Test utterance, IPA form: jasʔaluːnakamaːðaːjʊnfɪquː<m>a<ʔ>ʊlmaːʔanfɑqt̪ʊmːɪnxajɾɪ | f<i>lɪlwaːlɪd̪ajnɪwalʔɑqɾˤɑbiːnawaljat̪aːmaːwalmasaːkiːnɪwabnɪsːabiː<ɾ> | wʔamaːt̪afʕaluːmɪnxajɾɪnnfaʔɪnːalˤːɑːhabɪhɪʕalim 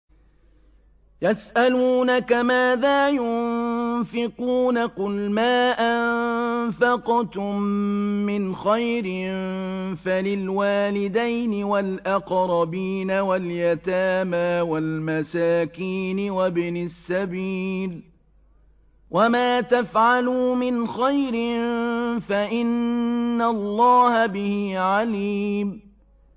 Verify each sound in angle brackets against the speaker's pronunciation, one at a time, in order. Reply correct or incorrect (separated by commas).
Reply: incorrect, incorrect, incorrect, incorrect